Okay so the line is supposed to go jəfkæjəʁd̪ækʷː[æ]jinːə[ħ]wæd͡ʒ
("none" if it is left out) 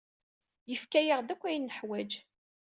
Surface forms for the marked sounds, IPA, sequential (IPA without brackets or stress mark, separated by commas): æ, ħ